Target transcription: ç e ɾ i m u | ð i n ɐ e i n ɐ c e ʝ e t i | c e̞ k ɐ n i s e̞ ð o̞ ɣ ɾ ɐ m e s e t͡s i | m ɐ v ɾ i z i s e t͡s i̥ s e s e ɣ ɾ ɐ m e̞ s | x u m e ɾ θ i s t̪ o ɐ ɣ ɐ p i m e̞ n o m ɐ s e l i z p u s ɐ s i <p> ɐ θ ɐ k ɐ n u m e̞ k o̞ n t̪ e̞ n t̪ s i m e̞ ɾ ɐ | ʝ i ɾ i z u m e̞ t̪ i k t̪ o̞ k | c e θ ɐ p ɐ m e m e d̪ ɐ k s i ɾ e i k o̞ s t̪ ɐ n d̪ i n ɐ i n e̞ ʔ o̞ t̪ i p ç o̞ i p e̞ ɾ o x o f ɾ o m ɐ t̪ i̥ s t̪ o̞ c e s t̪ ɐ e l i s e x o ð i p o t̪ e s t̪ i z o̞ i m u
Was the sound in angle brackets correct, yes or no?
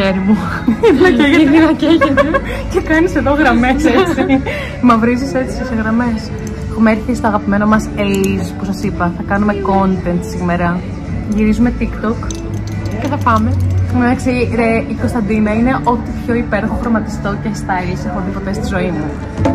yes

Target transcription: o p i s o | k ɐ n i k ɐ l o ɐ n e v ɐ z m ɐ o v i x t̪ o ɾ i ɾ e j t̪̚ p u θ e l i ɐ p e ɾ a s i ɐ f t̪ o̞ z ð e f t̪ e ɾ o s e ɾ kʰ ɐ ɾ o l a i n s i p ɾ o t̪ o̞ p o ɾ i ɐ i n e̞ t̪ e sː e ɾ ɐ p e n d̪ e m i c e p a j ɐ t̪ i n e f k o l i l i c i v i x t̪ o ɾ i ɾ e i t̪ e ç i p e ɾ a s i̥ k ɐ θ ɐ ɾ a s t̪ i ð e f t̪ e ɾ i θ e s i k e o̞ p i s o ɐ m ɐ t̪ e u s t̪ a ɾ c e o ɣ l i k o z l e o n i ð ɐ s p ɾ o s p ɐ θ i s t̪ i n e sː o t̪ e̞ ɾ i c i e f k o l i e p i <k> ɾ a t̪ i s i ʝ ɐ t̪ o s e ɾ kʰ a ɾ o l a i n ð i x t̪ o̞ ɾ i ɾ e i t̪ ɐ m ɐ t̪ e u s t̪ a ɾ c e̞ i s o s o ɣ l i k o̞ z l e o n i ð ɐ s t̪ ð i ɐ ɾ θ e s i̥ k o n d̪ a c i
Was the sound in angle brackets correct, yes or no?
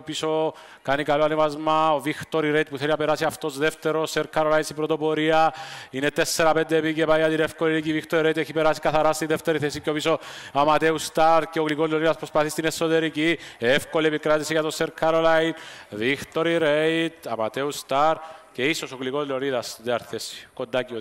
yes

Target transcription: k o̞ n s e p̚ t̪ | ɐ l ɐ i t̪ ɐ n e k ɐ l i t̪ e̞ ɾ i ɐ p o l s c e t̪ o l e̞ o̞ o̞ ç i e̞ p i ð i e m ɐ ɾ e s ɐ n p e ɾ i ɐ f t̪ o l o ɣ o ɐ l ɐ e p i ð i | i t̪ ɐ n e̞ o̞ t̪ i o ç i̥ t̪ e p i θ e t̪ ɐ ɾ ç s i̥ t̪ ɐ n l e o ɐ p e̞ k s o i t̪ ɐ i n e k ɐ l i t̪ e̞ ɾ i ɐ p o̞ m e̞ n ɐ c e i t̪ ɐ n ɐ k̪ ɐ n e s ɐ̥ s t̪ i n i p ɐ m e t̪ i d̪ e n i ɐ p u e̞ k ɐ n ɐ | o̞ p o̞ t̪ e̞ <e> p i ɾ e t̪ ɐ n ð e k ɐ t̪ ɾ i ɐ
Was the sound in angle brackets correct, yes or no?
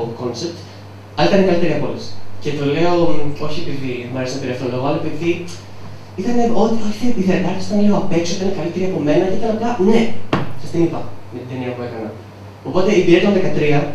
no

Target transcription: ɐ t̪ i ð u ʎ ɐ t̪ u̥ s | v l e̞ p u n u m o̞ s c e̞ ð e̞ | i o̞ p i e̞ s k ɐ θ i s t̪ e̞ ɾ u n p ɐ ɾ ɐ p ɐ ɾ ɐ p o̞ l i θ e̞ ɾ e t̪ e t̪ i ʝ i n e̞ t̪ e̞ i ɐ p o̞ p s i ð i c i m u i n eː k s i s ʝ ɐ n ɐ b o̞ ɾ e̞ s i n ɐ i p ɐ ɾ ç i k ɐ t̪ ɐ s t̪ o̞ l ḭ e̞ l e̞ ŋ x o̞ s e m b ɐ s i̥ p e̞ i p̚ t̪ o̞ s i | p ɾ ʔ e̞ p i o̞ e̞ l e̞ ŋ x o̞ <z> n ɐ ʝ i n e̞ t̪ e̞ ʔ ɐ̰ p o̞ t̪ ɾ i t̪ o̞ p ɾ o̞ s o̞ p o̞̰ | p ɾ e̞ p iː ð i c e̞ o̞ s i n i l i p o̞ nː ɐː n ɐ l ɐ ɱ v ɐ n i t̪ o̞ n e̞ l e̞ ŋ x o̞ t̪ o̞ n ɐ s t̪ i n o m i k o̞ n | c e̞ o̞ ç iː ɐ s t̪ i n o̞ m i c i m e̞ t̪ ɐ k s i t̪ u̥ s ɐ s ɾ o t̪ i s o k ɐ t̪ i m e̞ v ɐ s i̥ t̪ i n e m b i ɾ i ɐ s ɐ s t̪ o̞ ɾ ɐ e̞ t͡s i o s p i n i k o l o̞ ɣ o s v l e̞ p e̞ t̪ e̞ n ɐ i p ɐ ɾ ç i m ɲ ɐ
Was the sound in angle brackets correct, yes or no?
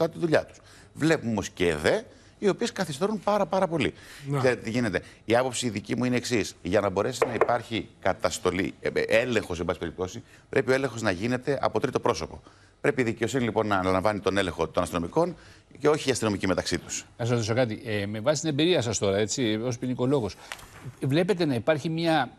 yes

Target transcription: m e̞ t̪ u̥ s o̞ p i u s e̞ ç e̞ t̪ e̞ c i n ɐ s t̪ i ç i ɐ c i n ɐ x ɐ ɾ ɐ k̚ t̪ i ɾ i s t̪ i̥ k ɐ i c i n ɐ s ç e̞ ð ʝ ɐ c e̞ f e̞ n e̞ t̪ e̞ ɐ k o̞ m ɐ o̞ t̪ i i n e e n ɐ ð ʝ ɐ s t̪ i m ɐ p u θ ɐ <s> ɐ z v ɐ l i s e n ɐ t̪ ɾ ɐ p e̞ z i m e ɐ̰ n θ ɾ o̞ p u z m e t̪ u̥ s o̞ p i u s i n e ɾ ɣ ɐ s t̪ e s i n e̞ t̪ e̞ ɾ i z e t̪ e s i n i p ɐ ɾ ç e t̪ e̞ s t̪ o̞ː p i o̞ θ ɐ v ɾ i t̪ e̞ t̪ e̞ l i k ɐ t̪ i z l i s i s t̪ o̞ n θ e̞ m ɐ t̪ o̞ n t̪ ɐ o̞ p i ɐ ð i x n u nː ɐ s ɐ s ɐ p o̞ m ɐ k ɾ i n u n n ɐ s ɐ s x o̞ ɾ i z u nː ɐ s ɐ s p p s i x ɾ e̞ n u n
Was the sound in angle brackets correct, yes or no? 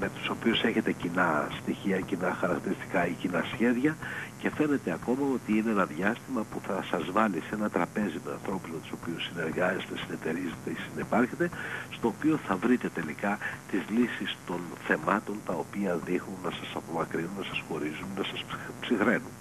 yes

